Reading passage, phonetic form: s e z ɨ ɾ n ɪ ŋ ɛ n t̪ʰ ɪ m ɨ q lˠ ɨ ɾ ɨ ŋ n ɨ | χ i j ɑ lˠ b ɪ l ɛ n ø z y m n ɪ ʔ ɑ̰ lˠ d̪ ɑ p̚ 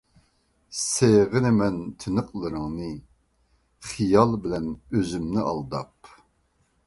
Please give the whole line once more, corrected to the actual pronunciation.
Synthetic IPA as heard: s e ʁ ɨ n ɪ m ɛ n t̪ʰ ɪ n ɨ q lˠ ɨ ɾ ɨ ŋ n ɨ | χ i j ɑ lˠ b ɪ l ɛ n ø z y m n ɪ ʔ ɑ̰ lˠ d̪ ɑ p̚